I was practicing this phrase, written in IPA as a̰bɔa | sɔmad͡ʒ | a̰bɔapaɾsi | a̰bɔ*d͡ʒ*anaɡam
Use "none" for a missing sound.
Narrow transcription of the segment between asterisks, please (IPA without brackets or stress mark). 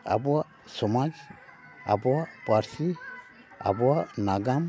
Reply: none